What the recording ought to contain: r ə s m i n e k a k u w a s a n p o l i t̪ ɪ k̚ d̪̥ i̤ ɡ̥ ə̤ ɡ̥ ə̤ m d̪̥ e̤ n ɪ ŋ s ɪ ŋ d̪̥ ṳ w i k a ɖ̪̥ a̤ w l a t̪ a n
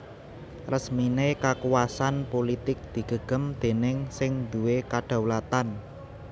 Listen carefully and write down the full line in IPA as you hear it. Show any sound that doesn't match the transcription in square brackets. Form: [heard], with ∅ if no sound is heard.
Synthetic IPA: r ə s m i n e k a k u w a s a n p o l i t̪ ɪ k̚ d̪̥ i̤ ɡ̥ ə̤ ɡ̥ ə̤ m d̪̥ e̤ n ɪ ŋ s ɪ ŋ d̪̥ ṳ w [e] k a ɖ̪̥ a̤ w l a t̪ a n